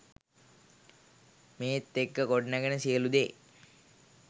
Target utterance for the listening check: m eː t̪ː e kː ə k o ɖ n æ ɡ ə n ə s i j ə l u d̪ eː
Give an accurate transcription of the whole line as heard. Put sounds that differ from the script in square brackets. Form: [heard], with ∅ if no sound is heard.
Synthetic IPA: m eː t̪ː e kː ə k o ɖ n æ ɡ ə n ə s i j ə l u d̪ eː